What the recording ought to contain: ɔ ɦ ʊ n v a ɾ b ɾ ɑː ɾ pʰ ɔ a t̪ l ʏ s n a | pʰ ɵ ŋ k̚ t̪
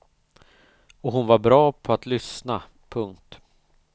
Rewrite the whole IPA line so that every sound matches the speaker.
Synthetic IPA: ɔ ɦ ʊ n v a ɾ b ɾ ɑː pʰ ɔ a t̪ l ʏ s n a | pʰ ɵ ŋ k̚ t̪